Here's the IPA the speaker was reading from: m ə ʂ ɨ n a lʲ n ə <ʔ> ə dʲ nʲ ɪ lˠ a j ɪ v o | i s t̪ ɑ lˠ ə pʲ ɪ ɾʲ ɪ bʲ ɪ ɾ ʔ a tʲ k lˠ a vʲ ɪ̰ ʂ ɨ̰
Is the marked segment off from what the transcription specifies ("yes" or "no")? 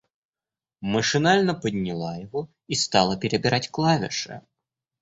yes